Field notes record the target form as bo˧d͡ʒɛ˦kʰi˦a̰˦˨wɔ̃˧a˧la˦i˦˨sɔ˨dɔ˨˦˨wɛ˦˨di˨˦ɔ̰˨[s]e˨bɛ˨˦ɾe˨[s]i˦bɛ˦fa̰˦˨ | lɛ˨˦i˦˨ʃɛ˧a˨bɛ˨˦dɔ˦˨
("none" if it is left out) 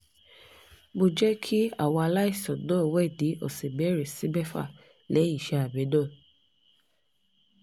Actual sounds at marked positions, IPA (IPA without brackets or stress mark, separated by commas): s, s